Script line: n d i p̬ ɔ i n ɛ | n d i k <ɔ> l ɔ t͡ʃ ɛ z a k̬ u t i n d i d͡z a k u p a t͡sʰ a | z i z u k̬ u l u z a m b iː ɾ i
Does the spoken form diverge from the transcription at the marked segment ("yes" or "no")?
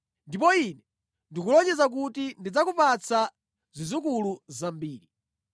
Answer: yes